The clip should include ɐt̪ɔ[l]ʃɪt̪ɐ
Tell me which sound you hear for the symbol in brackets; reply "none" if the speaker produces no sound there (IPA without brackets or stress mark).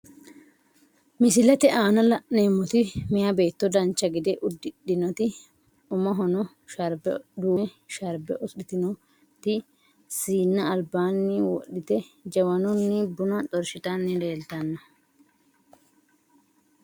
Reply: ɾ